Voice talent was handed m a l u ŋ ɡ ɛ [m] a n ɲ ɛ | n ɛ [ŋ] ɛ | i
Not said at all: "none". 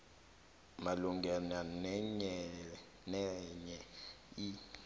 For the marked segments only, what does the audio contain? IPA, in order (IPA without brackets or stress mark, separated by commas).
n, ɲ